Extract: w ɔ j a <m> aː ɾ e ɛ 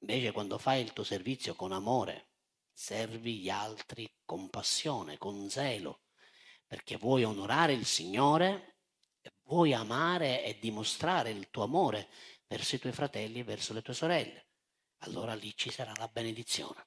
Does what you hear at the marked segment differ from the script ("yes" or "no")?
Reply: no